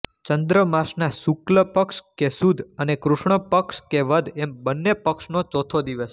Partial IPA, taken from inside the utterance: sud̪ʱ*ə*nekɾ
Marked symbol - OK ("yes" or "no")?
yes